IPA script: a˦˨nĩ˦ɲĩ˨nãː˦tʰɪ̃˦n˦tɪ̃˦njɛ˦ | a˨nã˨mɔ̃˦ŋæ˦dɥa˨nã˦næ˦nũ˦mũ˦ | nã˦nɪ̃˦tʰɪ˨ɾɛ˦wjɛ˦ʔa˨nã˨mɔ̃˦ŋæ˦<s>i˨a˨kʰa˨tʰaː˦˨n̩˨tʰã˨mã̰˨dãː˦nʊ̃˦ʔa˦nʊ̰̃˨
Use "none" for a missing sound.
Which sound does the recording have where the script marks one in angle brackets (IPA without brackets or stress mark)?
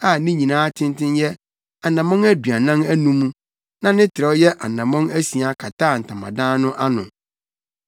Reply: s